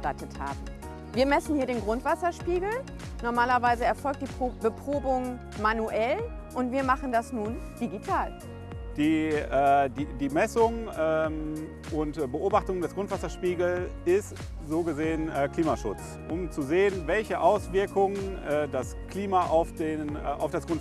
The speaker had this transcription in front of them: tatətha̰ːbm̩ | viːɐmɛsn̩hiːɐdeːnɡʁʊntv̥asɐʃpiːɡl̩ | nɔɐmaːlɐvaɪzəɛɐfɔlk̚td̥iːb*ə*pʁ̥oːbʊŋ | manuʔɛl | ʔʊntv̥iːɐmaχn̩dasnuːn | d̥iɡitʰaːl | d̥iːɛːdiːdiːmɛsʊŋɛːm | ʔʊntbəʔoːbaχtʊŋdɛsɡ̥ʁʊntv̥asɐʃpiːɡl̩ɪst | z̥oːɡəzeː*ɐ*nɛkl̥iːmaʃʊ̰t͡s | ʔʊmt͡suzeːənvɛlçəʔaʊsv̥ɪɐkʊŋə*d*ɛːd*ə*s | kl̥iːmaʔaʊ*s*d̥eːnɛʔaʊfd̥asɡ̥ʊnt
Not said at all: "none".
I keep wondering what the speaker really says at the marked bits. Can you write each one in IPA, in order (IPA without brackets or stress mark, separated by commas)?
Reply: ə, ə, n, a, f